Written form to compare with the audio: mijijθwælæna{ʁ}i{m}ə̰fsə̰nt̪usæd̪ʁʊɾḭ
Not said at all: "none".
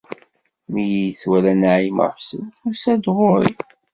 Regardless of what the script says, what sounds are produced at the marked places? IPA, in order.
ʕ, m

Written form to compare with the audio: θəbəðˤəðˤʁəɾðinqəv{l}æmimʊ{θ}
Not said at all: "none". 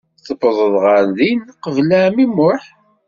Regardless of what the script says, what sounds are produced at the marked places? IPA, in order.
l, ħ

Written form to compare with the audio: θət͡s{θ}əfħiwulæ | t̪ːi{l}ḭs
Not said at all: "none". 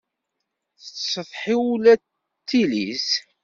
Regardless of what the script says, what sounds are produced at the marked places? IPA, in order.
s, l

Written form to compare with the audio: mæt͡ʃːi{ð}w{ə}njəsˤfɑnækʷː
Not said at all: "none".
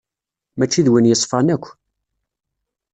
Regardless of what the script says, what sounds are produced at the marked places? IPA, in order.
ð, ə

